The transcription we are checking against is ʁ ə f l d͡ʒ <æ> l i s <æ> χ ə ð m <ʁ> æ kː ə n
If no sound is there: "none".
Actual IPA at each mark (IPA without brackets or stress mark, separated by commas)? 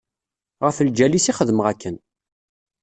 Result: æ, i, ʁ